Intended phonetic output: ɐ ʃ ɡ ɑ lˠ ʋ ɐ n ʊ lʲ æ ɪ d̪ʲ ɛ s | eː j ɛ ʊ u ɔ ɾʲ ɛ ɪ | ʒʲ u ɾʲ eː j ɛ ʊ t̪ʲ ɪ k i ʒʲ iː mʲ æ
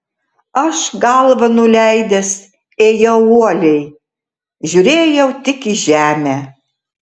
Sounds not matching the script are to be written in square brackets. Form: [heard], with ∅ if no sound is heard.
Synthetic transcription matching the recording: ɐ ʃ ɡ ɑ lˠ ʋ ɐ n ʊ lʲ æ ɪ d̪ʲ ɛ s | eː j ɛ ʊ u ɔ [lʲ] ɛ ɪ | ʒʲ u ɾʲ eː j ɛ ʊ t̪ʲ ɪ k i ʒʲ [æː] mʲ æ